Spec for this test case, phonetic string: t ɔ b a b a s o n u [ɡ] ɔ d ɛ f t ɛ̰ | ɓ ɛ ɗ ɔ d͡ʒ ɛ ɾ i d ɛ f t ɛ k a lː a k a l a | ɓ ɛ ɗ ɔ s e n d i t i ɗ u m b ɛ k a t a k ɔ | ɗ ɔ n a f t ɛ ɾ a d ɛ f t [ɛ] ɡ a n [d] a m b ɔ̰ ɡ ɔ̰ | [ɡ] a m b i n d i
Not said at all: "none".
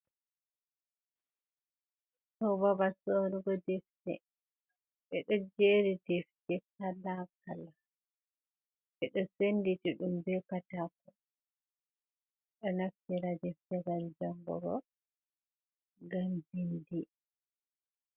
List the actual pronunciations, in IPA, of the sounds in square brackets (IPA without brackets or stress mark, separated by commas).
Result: ɡ, ɛ, d͡ʒ, ɡ